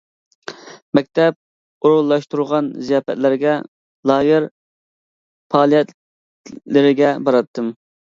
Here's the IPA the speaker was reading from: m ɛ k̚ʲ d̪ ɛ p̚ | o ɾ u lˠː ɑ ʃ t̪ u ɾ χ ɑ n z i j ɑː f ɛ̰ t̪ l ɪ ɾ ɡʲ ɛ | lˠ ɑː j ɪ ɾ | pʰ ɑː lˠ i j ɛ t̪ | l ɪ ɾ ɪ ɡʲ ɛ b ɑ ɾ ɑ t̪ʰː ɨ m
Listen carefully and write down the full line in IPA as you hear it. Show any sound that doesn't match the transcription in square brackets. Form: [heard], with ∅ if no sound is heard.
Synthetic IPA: m ɛ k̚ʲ [t̪] ɛ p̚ | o ɾ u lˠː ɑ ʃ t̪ u ɾ [ʁ] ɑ n z i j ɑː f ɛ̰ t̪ l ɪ ɾ ɡʲ ɛ | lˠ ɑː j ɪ ɾ | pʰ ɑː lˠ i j ɛ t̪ | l ɪ ɾ ɪ ɡʲ ɛ b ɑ ɾ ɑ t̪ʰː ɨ m

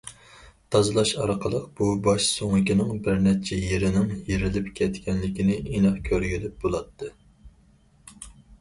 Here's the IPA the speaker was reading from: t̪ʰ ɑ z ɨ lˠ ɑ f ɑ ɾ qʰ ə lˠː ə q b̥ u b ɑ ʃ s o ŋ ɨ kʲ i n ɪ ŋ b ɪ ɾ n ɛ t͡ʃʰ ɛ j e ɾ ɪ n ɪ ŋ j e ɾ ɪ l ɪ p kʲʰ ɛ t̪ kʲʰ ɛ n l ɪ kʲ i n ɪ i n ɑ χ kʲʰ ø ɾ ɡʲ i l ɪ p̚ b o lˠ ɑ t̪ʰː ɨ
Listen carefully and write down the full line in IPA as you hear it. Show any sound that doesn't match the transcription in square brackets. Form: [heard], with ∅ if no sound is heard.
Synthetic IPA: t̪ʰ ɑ z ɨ lˠ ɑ [ʃ] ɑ ɾ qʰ ə [lˠ] ə q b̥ u b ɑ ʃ s o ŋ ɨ kʲ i n ɪ ŋ b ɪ ɾ n ɛ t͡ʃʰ ɛ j e ɾ ɪ n ɪ ŋ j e ɾ ɪ l ɪ p kʲʰ ɛ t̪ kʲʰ ɛ n l ɪ kʲ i n ɪ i n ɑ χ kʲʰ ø ɾ ɡʲ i l ɪ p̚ b o lˠ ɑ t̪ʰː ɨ

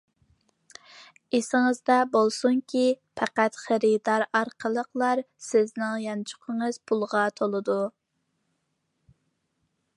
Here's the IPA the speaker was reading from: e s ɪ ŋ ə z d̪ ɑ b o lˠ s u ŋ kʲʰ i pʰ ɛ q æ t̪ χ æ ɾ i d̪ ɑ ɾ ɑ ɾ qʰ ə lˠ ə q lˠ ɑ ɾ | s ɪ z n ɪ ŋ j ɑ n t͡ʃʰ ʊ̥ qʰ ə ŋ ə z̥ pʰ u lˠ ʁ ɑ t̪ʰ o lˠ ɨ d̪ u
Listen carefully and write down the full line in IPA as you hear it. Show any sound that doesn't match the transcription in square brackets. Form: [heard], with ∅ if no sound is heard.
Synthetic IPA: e s ɪ ŋ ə z d̪ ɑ b o lˠ s u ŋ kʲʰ i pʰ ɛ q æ t̪ χ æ ɾ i d̪ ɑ ɾ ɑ ɾ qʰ ə lˠ ə q lˠ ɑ ɾ | s ɪ z n ɪ ŋ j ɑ n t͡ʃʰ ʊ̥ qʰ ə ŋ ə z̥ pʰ u lˠ ʁ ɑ t̪ʰ o lˠ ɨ d̪ u

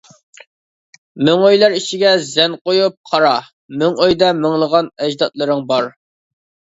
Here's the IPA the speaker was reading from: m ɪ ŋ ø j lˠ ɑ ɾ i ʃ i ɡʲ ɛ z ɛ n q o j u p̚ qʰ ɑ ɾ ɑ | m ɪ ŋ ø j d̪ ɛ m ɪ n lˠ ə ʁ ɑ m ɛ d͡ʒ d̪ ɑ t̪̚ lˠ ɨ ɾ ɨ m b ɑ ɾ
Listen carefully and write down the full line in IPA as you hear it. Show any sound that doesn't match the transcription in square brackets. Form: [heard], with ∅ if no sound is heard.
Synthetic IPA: m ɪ ŋ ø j lˠ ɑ ɾ i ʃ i ɡʲ ɛ z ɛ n q o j u p̚ qʰ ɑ ɾ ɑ | m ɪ ŋ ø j d̪ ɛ m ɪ [ŋ] lˠ ə ʁ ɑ [n] ɛ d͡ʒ d̪ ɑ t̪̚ lˠ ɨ ɾ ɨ [ŋ] b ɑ ɾ

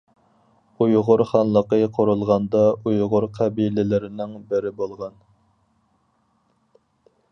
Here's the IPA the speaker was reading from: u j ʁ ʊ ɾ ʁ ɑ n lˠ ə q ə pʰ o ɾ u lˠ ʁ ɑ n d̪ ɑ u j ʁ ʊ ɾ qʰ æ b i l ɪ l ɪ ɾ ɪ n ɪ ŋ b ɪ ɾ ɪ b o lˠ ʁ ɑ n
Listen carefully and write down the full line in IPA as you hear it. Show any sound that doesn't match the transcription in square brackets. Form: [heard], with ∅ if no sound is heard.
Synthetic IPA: u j ʁ ʊ ɾ [χ] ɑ n lˠ ə q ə [qʰ] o ɾ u lˠ ʁ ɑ n d̪ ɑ u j ʁ ʊ ɾ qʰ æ b i l ɪ l ɪ ɾ ɪ n ɪ ŋ b ɪ ɾ ɪ b o lˠ ʁ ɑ n

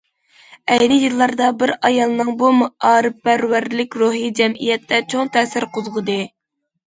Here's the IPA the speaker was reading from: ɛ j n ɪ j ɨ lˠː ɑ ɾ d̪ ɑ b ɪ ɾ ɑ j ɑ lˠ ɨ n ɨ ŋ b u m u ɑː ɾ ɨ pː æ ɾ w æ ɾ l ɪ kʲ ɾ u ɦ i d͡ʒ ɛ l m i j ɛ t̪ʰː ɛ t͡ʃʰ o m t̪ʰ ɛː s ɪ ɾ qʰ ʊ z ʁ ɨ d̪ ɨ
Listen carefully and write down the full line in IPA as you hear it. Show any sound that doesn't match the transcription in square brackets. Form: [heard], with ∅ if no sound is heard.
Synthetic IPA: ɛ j n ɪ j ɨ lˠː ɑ ɾ d̪ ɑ b ɪ ɾ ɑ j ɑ lˠ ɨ n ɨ ŋ b u m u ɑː ɾ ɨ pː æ ɾ w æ ɾ l ɪ kʲ ɾ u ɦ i d͡ʒ ɛ [∅] m i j ɛ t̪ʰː ɛ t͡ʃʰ o [ŋ] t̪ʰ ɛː s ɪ ɾ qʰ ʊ z ʁ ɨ d̪ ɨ

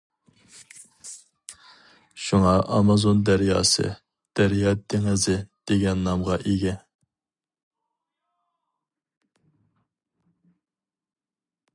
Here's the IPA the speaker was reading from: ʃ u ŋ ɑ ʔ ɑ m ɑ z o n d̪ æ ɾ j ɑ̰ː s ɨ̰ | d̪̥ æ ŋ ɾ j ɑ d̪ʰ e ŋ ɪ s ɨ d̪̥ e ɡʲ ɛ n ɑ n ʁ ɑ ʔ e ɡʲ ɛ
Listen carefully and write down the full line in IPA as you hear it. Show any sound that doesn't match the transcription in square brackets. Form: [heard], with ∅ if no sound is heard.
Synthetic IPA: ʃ u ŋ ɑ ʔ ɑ m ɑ z o n d̪ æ ɾ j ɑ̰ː s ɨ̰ | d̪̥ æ [∅] ɾ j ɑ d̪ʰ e ŋ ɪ [z] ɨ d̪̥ e ɡʲ ɛ [nː] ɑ [m] ʁ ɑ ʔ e ɡʲ ɛ

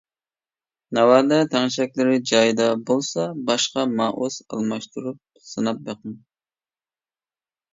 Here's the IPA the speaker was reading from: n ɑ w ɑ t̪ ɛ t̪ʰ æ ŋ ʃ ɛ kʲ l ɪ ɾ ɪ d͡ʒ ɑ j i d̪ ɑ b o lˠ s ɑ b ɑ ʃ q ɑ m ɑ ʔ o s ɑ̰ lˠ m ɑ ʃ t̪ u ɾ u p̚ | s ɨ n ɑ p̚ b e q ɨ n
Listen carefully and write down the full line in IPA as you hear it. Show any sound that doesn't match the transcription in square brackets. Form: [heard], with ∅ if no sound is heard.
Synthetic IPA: n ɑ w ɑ [d̪] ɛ t̪ʰ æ ŋ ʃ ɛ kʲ l ɪ ɾ ɪ d͡ʒ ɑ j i d̪ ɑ b o lˠ s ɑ b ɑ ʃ q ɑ m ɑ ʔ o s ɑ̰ lˠ m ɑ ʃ t̪ u ɾ u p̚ | s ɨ n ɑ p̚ b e q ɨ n

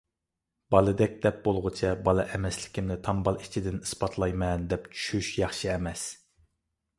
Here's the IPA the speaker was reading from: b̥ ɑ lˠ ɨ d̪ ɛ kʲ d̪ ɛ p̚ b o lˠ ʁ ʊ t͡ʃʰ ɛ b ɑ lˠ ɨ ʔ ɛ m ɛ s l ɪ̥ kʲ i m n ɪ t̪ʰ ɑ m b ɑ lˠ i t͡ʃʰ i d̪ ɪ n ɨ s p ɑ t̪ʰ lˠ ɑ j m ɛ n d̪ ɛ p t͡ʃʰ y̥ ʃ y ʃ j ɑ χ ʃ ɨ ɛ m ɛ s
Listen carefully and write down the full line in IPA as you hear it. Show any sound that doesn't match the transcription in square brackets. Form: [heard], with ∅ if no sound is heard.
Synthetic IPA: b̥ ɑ lˠ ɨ d̪ ɛ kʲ d̪ ɛ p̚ b o lˠ ʁ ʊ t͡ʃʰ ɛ b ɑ lˠ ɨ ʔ ɛ m ɛ s l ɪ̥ kʲ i m n ɪ t̪ʰ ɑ m b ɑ lˠ i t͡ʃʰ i d̪ ɪ n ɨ s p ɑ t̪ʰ lˠ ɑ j m ɛ n d̪ ɛ p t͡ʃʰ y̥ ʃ y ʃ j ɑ χ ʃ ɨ ɛ m ɛ s

